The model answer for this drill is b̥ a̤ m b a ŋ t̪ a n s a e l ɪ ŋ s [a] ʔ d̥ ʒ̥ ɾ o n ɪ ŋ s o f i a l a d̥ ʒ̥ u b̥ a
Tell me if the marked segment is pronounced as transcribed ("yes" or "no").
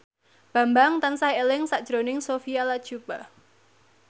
yes